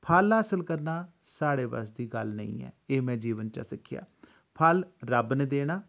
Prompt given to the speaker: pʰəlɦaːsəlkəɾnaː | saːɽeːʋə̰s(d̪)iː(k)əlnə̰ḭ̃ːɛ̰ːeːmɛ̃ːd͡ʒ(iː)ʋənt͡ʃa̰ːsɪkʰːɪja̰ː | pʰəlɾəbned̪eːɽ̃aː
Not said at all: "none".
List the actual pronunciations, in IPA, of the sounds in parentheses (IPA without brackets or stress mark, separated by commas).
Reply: d̪, ɡ, iː